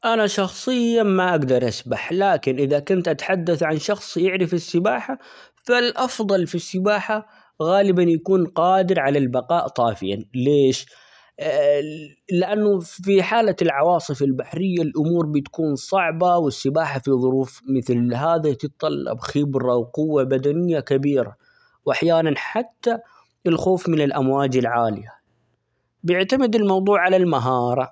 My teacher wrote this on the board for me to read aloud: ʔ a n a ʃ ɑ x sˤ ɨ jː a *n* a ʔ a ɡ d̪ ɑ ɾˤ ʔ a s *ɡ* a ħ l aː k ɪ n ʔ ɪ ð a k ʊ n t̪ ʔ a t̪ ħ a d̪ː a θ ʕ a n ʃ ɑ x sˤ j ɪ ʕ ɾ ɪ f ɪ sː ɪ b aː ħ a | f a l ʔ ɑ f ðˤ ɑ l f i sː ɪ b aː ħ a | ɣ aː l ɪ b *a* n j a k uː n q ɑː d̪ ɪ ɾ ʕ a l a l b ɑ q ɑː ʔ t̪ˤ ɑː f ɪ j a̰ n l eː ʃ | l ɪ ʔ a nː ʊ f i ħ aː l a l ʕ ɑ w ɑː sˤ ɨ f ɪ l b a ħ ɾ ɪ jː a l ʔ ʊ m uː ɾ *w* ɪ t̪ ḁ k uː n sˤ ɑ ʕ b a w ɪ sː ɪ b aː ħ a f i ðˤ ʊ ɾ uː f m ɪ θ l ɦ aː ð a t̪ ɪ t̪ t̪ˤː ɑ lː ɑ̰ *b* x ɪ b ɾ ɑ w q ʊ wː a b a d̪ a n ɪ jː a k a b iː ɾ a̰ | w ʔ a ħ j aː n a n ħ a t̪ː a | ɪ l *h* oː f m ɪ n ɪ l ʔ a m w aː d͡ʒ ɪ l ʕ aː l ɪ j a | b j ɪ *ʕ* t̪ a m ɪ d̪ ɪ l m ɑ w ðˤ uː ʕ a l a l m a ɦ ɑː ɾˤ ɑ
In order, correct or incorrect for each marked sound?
incorrect, incorrect, correct, incorrect, correct, incorrect, correct

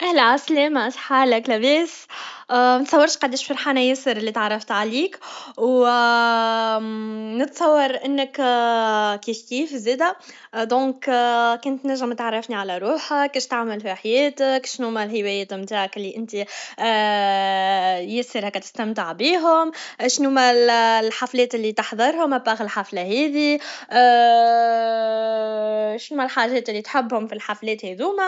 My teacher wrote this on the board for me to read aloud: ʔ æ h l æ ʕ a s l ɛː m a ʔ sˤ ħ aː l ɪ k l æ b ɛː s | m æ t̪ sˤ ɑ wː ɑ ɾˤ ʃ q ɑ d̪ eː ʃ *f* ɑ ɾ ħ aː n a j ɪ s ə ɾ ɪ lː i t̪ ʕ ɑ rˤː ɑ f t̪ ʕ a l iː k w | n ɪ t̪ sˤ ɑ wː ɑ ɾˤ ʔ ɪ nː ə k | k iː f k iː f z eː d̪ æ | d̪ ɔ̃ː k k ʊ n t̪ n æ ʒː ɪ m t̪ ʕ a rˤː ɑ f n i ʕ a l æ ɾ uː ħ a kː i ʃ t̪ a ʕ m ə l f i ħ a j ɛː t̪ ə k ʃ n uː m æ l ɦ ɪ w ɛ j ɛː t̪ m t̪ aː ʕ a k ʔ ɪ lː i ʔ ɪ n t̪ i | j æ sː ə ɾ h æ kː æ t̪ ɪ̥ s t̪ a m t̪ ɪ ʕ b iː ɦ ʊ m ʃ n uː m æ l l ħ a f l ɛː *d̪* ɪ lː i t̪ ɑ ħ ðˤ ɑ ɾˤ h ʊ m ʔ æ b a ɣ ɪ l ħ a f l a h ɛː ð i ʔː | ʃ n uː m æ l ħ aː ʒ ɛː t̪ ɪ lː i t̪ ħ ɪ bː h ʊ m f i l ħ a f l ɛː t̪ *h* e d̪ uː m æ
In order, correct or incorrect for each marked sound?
correct, incorrect, correct

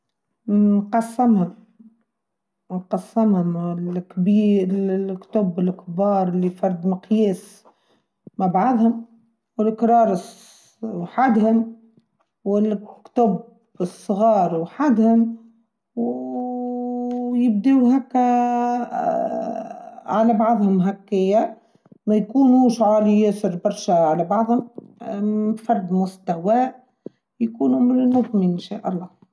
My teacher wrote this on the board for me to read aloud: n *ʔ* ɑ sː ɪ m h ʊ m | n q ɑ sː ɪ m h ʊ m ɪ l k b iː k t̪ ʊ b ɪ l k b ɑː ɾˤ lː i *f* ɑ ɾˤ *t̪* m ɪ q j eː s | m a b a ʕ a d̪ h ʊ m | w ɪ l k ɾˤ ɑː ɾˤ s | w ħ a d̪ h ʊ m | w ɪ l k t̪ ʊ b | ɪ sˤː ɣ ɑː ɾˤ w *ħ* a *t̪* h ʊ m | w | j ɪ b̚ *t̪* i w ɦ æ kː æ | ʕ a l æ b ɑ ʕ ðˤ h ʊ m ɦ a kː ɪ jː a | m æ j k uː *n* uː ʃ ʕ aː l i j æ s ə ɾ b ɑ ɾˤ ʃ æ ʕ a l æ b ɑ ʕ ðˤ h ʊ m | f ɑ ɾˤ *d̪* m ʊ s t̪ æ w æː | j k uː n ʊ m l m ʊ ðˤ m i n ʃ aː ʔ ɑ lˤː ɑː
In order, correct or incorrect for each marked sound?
incorrect, correct, incorrect, correct, incorrect, incorrect, correct, correct

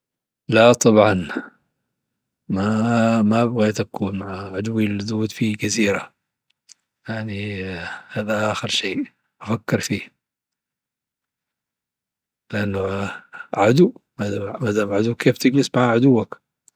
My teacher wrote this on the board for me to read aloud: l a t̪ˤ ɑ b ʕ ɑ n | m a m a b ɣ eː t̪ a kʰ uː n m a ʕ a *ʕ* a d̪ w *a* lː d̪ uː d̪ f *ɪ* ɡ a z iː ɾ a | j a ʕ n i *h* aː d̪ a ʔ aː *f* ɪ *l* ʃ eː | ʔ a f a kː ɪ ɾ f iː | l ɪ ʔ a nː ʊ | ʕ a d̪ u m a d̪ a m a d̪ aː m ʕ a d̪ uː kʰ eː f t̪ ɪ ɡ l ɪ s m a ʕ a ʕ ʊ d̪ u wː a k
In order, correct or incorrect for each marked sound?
correct, incorrect, incorrect, correct, incorrect, incorrect

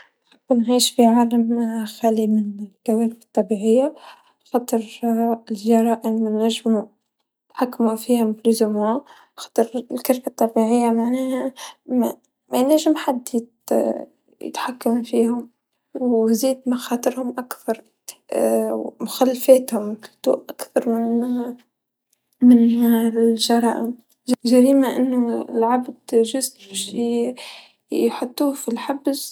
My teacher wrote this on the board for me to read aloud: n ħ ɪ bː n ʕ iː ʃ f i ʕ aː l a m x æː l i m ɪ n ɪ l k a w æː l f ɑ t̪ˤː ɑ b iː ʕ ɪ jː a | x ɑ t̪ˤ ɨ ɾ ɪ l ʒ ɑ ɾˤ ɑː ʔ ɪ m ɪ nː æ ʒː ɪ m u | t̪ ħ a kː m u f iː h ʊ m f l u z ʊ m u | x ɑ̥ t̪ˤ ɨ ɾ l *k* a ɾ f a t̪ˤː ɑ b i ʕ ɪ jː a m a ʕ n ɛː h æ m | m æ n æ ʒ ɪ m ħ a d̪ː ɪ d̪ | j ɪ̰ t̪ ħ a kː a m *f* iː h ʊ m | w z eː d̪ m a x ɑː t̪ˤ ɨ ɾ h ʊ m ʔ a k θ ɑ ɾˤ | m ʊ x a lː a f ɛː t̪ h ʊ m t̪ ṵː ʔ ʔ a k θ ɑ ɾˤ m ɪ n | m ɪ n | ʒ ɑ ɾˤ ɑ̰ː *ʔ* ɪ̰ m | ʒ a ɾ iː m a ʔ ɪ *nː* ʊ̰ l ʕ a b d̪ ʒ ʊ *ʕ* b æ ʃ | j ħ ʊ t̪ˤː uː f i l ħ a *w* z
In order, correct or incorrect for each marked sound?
correct, correct, correct, correct, incorrect, incorrect

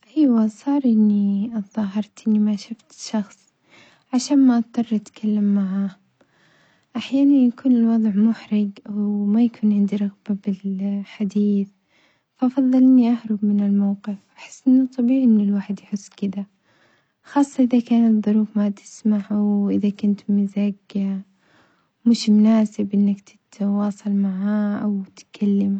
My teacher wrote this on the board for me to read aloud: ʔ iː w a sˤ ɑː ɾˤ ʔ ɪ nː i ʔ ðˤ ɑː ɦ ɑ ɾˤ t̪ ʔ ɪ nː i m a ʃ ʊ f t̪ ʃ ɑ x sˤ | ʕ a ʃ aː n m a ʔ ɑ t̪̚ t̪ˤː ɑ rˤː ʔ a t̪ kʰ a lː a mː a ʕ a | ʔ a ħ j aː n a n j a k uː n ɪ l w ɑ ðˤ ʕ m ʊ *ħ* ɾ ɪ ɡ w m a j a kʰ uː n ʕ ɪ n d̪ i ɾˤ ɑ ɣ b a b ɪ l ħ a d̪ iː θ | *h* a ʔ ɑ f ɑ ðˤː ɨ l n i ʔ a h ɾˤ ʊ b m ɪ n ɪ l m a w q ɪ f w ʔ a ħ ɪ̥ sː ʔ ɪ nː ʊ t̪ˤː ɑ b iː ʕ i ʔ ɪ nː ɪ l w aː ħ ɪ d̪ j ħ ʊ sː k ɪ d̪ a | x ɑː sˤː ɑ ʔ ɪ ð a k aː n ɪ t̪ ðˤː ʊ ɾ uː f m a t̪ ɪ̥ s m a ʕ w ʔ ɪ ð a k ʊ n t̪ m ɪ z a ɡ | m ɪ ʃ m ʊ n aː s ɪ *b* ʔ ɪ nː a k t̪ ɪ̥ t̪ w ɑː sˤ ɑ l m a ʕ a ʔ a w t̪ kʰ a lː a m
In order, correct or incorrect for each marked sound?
correct, incorrect, correct

